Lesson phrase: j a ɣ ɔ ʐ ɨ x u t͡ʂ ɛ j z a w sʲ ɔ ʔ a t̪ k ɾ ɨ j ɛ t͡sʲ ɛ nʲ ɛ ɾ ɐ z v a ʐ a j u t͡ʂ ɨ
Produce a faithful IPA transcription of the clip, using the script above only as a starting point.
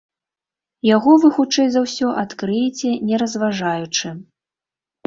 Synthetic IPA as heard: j a ɣ ɔ v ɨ x u t͡ʂ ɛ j z a w sʲ ɔ ʔ a t̪ k ɾ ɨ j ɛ t͡sʲ ɛ nʲ ɛ ɾ ɐ z v a ʐ a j u t͡ʂ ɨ